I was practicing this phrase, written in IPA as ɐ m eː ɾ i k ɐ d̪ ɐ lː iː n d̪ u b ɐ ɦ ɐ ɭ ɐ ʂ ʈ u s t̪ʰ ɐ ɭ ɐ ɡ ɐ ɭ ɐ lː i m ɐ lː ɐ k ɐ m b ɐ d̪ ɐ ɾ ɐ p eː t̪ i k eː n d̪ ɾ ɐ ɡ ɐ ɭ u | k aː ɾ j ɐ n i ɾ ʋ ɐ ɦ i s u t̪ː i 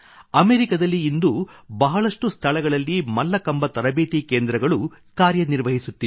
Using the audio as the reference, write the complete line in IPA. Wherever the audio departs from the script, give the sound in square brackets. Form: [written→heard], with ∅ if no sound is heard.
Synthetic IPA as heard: ɐ m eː ɾ i k ɐ d̪ ɐ lː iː n d̪ u b ɐ ɦ ɐ ɭ ɐ ʂ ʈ u s t̪ʰ ɐ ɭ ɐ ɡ ɐ ɭ ɐ lː i m ɐ lː ɐ k ɐ m b ɐ [d̪→t̪] ɐ ɾ ɐ [p→b] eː t̪ i k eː n d̪ ɾ ɐ ɡ ɐ ɭ u | k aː ɾ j ɐ n i ɾ ʋ ɐ ɦ i s u t̪ː i

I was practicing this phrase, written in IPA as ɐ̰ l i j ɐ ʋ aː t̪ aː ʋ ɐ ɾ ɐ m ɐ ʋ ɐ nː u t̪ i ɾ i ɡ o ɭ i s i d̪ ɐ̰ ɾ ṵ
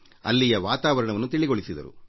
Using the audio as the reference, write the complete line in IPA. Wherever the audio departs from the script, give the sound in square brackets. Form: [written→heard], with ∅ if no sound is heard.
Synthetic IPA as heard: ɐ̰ [l→lː] i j ɐ ʋ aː t̪ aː ʋ ɐ ɾ ɐ [m→ɳ] ɐ ʋ ɐ nː u t̪ i [ɾ→ɭ] i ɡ o ɭ i s i d̪ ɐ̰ ɾ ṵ

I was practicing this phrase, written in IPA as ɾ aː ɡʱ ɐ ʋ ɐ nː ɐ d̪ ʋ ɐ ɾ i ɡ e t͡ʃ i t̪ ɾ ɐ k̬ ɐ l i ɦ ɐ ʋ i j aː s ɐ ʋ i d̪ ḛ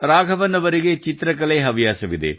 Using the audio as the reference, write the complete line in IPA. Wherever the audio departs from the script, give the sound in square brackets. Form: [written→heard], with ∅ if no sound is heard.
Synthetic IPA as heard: ɾ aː ɡʱ ɐ ʋ ɐ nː ɐ [d̪→∅] ʋ ɐ ɾ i ɡ e t͡ʃ i t̪ ɾ ɐ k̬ ɐ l [i→e] ɦ ɐ ʋ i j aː s ɐ ʋ i d̪ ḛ

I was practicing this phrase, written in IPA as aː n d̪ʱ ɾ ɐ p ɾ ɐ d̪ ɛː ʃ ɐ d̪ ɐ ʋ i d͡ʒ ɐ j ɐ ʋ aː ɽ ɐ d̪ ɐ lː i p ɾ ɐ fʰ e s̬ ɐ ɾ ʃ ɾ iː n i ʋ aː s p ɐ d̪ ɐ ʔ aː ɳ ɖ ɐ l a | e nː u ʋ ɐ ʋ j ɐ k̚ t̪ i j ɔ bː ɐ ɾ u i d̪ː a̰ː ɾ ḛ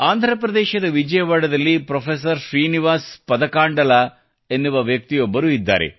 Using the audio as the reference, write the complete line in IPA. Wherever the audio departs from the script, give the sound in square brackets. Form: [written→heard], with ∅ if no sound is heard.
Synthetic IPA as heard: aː n d̪ʱ ɾ ɐ p ɾ ɐ d̪ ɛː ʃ ɐ d̪ ɐ ʋ i d͡ʒ ɐ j ɐ ʋ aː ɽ ɐ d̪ ɐ lː i p ɾ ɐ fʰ e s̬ ɐ ɾ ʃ ɾ iː n i ʋ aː s p ɐ d̪ ɐ [ʔ→k] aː ɳ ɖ ɐ l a | e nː u ʋ ɐ ʋ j ɐ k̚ t̪ i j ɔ bː ɐ ɾ u i d̪ː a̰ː ɾ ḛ

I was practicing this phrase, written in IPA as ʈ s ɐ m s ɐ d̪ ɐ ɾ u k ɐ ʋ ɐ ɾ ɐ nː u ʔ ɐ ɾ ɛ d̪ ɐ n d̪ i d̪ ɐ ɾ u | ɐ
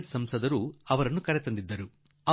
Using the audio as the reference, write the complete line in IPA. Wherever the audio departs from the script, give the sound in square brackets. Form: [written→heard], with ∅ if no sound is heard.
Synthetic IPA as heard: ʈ s ɐ m s ɐ d̪ ɐ ɾ u [k→∅] ɐ ʋ ɐ ɾ ɐ [nː→n] u [ʔ→k] ɐ ɾ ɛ [d̪→t̪] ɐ n d̪ i [d̪→d̪ː] ɐ ɾ u | ɐ

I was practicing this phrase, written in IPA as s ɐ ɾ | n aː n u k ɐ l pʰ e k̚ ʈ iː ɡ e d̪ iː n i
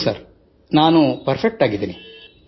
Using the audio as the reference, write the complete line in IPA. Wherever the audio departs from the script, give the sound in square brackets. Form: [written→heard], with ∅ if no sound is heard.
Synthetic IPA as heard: s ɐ ɾ | n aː n u [k→p] ɐ [l→ɾ] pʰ e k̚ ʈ [iː→aː] ɡ [e→i] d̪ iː n i

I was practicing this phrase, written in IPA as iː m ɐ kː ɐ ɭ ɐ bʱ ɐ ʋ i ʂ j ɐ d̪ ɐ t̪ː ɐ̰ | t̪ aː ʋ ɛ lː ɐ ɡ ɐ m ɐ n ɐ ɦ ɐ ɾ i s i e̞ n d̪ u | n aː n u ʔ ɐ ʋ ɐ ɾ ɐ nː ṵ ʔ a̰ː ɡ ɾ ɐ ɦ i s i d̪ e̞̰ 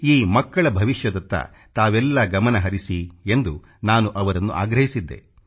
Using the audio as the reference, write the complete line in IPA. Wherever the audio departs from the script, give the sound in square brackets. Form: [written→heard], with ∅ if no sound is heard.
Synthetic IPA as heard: iː m ɐ kː ɐ ɭ ɐ bʱ ɐ ʋ i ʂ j ɐ d̪ ɐ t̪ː ɐ̰ | t̪ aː ʋ ɛ lː ɐ ɡ ɐ m ɐ n ɐ ɦ ɐ ɾ i s i e̞ n d̪ u | n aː n u ʔ ɐ ʋ ɐ ɾ ɐ nː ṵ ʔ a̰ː ɡ ɾ ɐ ɦ i s i [d̪→d̪ː] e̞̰

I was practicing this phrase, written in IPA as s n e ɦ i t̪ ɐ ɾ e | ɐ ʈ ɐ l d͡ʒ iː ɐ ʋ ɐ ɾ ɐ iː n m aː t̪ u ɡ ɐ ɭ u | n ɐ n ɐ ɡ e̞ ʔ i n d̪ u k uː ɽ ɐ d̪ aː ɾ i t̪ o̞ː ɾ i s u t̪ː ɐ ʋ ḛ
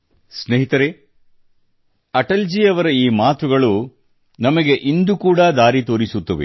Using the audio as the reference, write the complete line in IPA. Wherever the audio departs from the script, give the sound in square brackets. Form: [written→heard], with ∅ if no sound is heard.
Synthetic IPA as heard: s n e ɦ i t̪ ɐ ɾ e | ɐ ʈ ɐ l d͡ʒ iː ɐ ʋ ɐ ɾ ɐ iː [n→∅] m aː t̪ u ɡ ɐ ɭ u | n ɐ [n→m] ɐ ɡ e̞ ʔ i n d̪ u k uː ɽ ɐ d̪ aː ɾ i t̪ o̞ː ɾ i s u t̪ː ɐ ʋ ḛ

